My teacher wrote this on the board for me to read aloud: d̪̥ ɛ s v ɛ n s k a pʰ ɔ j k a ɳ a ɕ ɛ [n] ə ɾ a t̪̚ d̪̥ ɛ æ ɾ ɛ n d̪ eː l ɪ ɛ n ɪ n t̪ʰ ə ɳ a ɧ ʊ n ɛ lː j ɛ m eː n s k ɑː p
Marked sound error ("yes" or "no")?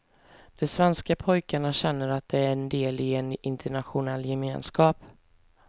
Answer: yes